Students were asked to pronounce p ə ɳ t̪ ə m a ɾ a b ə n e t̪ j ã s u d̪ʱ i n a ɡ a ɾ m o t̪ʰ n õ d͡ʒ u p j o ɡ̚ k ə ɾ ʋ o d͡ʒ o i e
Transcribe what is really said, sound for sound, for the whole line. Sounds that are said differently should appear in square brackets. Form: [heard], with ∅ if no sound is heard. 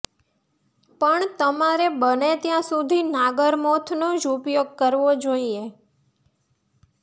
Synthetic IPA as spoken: p ə ɳ t̪ ə m a ɾ [e] b ə n e t̪ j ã s u d̪ʱ i n a ɡ [ə] ɾ m o t̪ʰ n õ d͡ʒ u p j o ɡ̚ k ə ɾ ʋ o d͡ʒ o i e